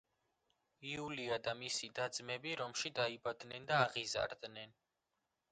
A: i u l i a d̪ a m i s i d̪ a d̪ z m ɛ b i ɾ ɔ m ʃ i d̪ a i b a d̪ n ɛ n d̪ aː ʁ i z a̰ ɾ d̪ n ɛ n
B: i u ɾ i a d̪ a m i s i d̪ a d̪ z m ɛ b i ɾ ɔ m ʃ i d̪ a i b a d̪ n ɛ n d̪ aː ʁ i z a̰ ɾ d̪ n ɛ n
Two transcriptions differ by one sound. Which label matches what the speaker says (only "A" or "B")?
A